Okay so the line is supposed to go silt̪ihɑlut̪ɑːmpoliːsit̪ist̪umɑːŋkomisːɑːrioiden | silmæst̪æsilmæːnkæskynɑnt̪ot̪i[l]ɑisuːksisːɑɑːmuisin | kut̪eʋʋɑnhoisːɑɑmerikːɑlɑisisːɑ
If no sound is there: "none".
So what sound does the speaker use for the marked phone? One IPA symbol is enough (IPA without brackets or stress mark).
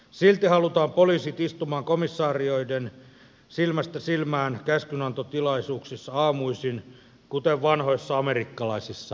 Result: l